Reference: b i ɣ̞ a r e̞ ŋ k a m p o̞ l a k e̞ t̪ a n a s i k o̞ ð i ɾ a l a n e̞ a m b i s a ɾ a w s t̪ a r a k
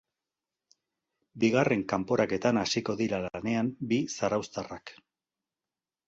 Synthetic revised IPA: b i ɣ̞ a r e̞ ŋ k a m p o̞ ɾ a k e̞ t̪ a n a s i k o̞ ð i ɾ a l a n e̞ a m b i s a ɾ a w s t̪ a r a k